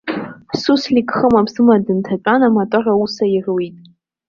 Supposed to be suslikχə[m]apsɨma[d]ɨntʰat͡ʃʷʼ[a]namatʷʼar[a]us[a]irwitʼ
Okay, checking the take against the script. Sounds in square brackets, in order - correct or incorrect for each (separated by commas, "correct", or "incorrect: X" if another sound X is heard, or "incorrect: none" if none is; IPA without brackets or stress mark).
correct, correct, correct, correct, correct